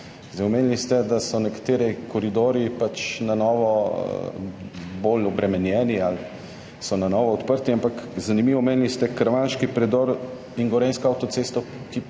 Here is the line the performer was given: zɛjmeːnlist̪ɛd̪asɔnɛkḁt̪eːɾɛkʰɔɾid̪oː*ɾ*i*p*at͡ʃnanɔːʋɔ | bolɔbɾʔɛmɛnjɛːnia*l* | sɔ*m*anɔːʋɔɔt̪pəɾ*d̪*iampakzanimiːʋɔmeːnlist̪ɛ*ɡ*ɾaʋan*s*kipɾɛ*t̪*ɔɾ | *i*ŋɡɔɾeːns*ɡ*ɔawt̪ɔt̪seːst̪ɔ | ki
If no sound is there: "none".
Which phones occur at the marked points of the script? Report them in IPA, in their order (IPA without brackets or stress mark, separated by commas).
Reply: ɾ, p, l, n, t̪, k, ʃ, d̪, i, k